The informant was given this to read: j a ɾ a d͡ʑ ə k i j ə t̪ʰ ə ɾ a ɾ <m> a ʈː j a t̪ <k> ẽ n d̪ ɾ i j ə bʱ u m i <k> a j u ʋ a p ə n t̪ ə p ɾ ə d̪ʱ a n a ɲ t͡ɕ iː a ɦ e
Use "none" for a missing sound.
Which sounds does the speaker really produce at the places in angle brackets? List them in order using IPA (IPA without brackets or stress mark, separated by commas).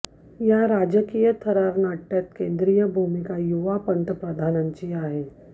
n, k, k